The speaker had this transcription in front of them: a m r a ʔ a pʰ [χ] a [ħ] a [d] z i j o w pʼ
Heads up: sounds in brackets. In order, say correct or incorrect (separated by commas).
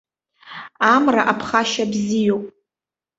correct, incorrect, incorrect